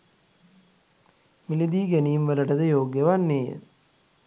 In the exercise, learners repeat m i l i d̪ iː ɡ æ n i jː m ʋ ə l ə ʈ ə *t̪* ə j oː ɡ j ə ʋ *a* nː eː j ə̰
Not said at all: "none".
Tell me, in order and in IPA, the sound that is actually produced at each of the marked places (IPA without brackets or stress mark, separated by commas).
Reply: d̪, a